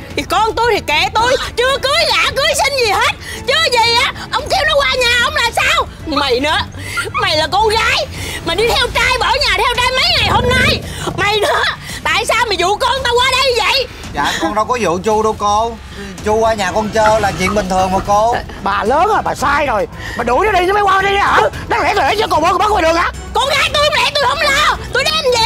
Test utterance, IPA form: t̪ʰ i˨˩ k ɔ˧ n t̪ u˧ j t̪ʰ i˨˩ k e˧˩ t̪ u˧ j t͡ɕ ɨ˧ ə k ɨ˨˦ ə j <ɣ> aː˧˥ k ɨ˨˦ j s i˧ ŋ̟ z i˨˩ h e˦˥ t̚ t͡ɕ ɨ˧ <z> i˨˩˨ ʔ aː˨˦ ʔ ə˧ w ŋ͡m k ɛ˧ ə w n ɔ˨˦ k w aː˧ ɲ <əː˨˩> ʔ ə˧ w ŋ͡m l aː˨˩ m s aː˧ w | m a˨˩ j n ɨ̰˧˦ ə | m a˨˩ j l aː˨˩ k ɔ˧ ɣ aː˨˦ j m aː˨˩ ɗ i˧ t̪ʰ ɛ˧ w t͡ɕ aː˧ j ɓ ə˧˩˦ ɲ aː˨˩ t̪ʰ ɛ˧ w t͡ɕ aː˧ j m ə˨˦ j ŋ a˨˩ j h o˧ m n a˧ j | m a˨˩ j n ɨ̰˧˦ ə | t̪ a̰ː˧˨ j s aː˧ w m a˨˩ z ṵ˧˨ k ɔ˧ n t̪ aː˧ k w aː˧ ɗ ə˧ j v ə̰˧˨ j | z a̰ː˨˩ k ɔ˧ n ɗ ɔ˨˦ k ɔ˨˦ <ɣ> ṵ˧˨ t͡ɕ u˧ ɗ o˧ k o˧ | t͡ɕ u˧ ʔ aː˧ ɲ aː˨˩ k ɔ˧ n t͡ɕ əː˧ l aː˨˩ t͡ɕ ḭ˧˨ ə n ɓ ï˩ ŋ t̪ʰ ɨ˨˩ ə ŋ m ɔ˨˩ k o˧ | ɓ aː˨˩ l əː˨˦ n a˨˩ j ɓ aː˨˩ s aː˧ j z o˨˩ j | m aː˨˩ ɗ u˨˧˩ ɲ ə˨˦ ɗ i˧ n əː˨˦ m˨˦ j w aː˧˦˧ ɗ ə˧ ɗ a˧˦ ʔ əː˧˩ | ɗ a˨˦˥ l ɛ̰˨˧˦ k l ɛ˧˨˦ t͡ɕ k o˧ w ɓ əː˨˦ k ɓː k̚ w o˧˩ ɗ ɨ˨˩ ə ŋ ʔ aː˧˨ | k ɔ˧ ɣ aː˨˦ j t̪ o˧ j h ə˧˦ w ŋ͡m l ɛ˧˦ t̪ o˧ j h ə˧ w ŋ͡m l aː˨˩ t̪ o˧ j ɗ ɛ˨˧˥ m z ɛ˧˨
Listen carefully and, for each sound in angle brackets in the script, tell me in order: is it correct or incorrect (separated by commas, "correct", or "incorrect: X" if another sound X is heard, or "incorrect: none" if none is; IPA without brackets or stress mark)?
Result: correct, correct, incorrect: aː˨˩, incorrect: z